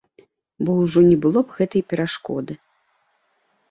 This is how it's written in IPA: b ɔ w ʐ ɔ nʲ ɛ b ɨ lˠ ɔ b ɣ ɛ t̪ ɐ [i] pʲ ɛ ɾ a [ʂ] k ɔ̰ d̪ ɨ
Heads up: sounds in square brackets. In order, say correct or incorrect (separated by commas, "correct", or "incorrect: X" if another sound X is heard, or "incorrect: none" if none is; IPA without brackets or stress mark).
incorrect: j, correct